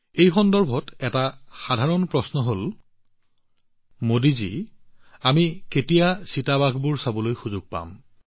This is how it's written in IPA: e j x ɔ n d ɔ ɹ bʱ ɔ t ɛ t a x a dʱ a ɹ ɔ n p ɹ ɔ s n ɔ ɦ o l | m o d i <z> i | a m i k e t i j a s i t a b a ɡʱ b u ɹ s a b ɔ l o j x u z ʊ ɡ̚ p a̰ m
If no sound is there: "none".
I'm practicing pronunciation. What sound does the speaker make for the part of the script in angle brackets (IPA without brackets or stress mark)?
z